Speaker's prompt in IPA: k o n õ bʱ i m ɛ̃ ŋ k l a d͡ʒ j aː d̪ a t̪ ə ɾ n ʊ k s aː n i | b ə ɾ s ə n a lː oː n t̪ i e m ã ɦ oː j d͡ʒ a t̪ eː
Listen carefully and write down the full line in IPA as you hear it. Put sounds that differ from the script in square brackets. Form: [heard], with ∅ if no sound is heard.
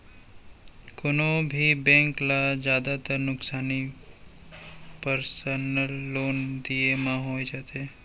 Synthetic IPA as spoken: k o n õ bʱ i [b] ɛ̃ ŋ k l a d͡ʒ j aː d̪ a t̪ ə ɾ n ʊ k s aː n i | [p] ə ɾ s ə n [ə] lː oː n [d̪] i e m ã ɦ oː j d͡ʒ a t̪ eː